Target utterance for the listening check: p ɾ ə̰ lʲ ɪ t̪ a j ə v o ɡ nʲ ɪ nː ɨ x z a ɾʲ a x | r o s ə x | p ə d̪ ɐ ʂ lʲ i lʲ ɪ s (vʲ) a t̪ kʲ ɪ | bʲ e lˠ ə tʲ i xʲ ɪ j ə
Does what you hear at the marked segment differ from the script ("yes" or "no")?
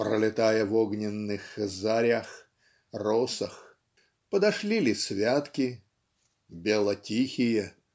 no